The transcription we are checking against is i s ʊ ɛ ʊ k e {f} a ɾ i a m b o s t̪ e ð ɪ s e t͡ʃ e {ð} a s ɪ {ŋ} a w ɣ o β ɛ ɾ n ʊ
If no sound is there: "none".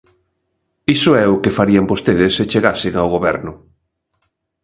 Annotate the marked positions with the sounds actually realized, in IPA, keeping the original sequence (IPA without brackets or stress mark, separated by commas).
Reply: f, ɣ, ŋ